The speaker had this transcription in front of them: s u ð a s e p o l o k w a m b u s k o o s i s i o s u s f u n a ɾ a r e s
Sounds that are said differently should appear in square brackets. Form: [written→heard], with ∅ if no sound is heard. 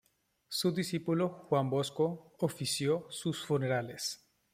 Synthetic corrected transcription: s u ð [a→i] s [e→i] p [o→u] l o [k→x] w a m b [u→o] s k o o [s→f] i s [i→j] o s u s f u n [a→e] ɾ a [r→l] e s